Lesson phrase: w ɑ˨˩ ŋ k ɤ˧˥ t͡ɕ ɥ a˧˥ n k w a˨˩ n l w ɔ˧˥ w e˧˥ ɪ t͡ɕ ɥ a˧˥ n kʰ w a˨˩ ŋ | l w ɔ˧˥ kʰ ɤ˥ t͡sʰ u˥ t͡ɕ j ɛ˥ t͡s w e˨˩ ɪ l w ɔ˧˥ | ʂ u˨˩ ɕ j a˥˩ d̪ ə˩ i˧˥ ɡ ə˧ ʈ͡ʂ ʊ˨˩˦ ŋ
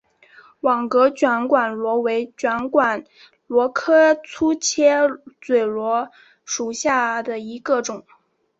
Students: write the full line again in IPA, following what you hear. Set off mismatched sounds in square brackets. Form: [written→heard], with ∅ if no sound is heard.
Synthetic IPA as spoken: w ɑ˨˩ ŋ k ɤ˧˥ t͡ɕ ɥ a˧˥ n k w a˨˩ n l w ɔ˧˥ w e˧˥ ɪ t͡ɕ ɥ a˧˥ n [kʰ→k] w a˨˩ [ŋ→n] | l w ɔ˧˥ kʰ ɤ˥ t͡sʰ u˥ [t͡ɕ→t͡ɕʰ] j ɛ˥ t͡s w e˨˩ ɪ l w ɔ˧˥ | ʂ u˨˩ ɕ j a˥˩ d̪ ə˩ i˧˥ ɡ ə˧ ʈ͡ʂ ʊ˨˩˦ ŋ